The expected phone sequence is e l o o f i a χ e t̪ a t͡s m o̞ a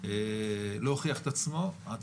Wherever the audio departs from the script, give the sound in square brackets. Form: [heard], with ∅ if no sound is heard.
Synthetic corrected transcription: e l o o [χ] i a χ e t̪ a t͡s m o̞ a